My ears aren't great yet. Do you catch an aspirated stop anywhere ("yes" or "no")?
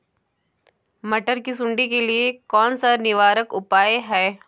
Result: no